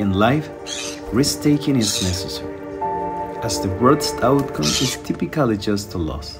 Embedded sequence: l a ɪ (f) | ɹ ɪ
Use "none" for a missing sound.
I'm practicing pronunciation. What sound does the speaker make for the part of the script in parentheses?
f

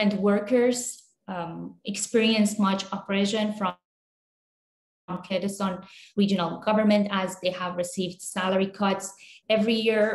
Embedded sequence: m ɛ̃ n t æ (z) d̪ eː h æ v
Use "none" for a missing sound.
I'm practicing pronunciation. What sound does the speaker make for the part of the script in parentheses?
z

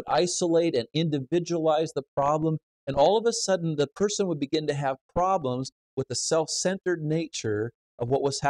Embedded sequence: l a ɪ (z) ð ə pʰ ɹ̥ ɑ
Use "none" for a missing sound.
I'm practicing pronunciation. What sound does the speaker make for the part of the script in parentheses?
z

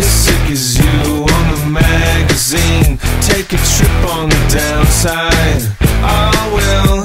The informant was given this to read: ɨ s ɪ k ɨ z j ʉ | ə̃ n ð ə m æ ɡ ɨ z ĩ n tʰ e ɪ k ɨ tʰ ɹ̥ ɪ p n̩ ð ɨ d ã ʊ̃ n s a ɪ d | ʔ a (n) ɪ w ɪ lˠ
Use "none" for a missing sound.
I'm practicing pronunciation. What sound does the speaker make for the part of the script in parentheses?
none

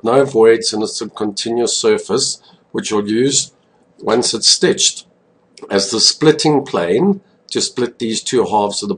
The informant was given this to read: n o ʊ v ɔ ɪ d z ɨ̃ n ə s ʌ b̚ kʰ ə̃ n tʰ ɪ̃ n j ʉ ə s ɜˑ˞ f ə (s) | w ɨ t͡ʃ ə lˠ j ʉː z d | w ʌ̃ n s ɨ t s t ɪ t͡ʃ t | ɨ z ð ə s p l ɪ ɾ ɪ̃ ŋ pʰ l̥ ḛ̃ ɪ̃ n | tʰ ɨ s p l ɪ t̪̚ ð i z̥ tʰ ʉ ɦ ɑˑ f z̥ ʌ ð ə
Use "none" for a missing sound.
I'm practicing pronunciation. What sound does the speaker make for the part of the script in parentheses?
s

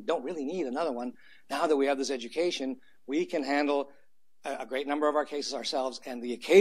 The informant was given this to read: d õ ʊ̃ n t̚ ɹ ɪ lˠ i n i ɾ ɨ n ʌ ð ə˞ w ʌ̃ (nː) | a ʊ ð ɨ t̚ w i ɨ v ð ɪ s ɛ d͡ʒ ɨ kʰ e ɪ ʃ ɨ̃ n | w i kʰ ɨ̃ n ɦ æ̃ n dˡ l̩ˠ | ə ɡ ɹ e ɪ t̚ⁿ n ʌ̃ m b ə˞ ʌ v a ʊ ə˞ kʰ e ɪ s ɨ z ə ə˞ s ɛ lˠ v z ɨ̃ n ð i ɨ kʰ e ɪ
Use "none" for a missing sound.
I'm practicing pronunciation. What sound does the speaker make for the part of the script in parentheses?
nː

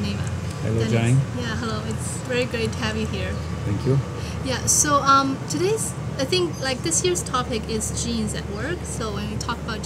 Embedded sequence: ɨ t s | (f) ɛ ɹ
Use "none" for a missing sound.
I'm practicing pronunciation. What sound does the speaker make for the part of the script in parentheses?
v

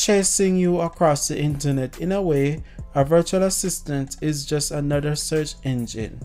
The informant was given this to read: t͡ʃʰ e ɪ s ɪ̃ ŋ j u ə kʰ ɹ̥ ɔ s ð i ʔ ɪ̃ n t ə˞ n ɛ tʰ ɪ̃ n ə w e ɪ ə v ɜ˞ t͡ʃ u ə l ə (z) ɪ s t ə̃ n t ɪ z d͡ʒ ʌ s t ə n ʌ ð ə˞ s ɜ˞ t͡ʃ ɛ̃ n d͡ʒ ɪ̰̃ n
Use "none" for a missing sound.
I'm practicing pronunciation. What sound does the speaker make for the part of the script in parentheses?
s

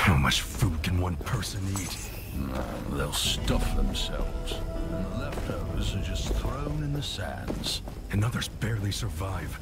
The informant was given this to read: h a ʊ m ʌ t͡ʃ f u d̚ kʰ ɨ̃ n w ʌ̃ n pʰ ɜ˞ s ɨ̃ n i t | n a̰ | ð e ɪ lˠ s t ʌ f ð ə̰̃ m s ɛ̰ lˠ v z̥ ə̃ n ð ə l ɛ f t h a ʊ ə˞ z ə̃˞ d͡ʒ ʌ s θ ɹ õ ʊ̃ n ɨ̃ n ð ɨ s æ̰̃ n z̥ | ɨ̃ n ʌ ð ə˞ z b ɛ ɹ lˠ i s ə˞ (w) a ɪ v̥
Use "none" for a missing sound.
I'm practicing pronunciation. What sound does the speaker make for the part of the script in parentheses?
v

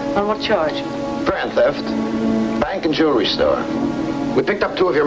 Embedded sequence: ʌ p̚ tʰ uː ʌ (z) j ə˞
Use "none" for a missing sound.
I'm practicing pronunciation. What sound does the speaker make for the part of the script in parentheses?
v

